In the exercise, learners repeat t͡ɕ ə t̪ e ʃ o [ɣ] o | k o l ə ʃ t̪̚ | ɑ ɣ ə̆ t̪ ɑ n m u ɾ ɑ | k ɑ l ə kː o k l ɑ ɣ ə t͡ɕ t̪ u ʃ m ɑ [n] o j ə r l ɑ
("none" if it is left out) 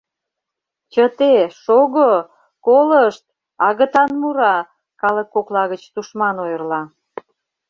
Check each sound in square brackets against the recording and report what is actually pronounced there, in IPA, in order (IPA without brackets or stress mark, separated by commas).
ɣ, n